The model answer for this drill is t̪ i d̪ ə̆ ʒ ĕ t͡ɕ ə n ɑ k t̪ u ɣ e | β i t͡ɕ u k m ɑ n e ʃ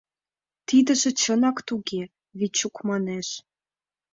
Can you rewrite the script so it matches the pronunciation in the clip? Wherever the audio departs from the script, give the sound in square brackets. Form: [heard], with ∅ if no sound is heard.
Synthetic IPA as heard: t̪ i d̪ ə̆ ʒ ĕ t͡ɕ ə n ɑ k t̪ u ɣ e | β i t͡ɕ u k m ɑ n e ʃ